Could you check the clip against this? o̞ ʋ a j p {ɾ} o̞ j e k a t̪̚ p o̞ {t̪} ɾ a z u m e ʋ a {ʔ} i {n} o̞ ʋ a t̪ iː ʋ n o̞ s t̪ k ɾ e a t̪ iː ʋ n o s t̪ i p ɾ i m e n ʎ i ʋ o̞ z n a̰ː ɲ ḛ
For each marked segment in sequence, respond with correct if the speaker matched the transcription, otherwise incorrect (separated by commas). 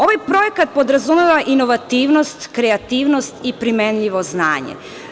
correct, incorrect, correct, correct